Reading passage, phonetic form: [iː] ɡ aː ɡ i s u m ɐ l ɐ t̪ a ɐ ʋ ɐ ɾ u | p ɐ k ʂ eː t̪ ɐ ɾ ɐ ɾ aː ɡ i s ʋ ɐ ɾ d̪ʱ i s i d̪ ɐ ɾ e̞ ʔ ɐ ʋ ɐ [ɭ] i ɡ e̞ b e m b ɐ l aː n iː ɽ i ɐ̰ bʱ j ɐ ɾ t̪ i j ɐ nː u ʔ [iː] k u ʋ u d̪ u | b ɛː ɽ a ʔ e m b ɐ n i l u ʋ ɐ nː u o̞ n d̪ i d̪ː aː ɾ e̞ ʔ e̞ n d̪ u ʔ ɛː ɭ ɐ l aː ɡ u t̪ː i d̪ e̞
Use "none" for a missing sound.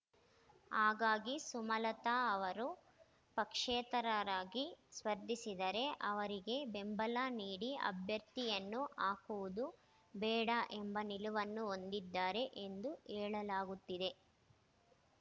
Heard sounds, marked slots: aː, ɾ, aː

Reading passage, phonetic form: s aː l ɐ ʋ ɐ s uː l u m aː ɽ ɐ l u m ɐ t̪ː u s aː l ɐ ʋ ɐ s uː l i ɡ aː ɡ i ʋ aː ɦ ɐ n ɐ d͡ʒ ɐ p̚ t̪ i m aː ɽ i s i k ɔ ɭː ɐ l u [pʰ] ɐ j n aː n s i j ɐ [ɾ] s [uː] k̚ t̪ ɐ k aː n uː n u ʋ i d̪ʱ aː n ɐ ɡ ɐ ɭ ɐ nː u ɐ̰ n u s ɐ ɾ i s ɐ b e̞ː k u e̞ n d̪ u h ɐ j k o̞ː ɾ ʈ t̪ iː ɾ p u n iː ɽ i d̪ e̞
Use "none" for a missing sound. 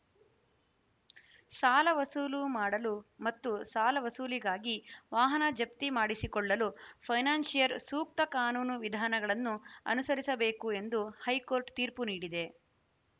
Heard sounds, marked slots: pʰ, ɾ, uː

